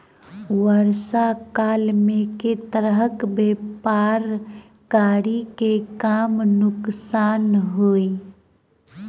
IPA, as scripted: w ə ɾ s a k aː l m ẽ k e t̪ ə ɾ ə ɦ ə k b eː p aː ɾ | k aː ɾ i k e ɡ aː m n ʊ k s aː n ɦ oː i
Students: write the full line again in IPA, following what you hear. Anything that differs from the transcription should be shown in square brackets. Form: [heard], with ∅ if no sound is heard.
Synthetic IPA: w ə ɾ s a k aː l m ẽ k e t̪ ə ɾ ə ɦ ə k b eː p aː ɾ | k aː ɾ i k e [k] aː m n ʊ k s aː n ɦ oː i